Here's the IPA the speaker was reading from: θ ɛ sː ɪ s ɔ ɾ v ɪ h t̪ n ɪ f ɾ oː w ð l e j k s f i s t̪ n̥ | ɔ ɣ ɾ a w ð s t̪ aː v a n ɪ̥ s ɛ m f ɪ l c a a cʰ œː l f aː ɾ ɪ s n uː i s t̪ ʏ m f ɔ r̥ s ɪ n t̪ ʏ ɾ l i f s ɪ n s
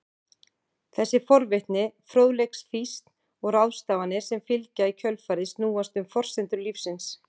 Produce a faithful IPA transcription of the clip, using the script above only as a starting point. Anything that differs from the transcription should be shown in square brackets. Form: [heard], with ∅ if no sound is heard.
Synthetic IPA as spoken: θ ɛ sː ɪ [f] ɔ ɾ v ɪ h t̪ n ɪ f ɾ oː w ð l e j k s f i s t̪ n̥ | ɔ ɣ ɾ a w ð s t̪ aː v a n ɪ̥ s ɛ m f ɪ l c a [i] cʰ [œ] l f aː ɾ ɪ s n uː [a] s t̪ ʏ m f ɔ r̥ s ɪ n t̪ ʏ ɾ l i f s ɪ n s